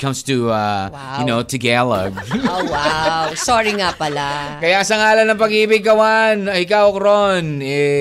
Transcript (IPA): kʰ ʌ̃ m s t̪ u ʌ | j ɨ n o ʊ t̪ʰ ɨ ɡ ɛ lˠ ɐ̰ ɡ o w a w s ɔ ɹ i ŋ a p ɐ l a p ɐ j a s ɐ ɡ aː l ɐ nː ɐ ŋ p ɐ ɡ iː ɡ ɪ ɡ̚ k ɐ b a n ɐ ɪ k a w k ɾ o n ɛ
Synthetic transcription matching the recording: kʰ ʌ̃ m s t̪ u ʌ | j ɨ n o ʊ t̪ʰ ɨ ɡ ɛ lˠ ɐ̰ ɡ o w a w s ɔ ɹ i ŋ a p ɐ l a k ɐ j a s ɐ ŋ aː l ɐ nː ɐ ŋ p ɐ ɡ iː b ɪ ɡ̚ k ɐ w a n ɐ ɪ k a w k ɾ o n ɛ